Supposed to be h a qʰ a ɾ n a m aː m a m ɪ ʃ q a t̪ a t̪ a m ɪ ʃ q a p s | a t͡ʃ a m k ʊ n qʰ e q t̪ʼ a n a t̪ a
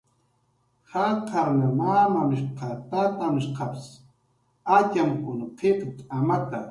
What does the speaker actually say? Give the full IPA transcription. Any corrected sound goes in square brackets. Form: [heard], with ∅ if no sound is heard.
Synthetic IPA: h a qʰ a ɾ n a m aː m a m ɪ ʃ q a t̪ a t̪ a m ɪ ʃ q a p s | a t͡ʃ a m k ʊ n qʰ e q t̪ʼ a [m] a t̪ a